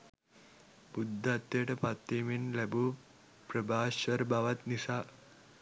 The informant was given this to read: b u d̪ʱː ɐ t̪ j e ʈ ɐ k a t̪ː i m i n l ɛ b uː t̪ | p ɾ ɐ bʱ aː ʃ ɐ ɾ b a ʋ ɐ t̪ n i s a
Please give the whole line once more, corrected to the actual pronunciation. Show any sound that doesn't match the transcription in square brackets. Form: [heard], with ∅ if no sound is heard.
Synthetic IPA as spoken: b u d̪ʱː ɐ t̪ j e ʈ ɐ [p] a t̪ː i m i n l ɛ b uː [∅] | p ɾ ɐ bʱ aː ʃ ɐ ɾ b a ʋ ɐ t̪ n i s a